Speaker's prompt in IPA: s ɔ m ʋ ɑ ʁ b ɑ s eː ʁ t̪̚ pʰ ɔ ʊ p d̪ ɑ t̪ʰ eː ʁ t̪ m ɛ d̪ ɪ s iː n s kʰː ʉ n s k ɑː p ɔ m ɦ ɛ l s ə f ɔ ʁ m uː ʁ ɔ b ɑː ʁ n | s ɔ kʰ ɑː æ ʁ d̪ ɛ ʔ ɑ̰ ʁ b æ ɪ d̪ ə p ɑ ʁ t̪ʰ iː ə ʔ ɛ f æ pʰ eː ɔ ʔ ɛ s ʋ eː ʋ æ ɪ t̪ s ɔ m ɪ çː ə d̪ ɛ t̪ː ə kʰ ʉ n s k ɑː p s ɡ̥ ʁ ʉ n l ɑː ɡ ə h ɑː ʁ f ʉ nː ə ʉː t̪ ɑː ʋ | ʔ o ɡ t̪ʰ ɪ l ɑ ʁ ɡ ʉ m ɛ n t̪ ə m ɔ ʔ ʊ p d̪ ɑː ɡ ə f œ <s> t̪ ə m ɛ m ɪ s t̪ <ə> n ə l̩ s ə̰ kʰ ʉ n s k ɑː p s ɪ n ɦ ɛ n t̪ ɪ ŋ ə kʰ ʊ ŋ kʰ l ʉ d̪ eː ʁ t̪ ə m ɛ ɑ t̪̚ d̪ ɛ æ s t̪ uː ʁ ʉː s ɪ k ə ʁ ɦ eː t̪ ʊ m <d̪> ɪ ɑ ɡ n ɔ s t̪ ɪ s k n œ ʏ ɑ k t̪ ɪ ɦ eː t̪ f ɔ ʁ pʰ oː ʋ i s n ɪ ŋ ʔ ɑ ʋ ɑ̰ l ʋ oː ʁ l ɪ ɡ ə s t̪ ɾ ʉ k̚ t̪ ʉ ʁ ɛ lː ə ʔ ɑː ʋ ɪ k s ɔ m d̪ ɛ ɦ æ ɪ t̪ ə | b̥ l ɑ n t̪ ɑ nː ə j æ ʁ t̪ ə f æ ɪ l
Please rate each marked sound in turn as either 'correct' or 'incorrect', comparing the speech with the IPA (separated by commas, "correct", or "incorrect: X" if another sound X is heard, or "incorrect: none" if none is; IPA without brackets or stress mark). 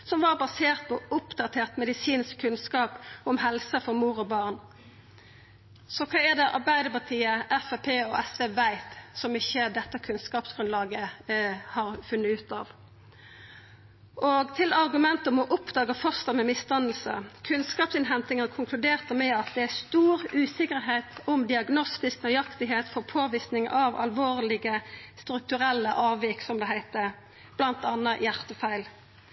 correct, incorrect: ɑ, correct